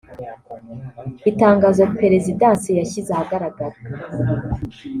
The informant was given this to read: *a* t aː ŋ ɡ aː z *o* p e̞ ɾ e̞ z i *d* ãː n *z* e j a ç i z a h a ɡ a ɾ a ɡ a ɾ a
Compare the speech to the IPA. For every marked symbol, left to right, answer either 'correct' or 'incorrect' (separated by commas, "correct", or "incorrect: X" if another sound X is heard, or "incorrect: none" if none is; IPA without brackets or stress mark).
incorrect: i, correct, correct, incorrect: s